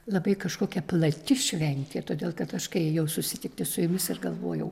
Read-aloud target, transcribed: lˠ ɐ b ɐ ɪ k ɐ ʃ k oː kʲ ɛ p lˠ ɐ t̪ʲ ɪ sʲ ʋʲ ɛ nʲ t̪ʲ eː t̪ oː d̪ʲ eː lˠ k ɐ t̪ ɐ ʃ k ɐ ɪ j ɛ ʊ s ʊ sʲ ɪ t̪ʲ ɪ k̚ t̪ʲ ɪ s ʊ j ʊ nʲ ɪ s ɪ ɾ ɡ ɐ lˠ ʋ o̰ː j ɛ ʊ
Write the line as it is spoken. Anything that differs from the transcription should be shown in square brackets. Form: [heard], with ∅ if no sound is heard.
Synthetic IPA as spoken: lˠ ɐ b ɐ ɪ k ɐ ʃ k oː kʲ ɛ p lˠ ɐ t̪ʲ ɪ [ʃʲ] ʋʲ ɛ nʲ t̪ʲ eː t̪ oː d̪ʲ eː lˠ k ɐ t̪ ɐ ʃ k ɐ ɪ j ɛ ʊ s ʊ sʲ ɪ t̪ʲ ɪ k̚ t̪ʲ ɪ s ʊ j ʊ [mʲ] ɪ s ɪ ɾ ɡ ɐ lˠ ʋ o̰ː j ɛ ʊ